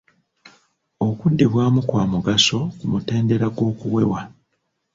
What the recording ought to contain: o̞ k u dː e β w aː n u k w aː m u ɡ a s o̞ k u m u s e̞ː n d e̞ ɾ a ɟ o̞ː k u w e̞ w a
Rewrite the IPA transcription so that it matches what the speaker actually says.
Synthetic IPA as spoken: o̞ k u dː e β w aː m u k w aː m u ɡ a s o̞ k u m u t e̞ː n d e̞ ɾ a ɡ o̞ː k u w e̞ w a